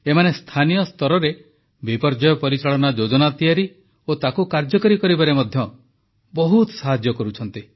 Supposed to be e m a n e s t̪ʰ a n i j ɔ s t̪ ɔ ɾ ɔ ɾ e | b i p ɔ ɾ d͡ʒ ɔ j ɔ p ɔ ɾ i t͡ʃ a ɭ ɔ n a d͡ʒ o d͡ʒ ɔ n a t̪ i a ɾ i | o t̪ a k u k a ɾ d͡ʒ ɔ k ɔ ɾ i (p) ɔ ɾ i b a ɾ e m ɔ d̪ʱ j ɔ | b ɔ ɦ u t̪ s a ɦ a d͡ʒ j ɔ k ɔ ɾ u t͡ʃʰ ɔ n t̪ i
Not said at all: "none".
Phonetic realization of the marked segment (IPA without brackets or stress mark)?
k